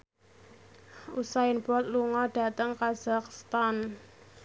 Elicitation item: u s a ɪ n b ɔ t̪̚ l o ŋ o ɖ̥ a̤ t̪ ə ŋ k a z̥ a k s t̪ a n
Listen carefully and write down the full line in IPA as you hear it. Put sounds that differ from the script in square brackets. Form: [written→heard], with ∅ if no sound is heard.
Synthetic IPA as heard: u s a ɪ n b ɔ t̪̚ l [o→u] ŋ [o→ɔ] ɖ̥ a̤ t̪ ə ŋ k a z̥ a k s t̪ a n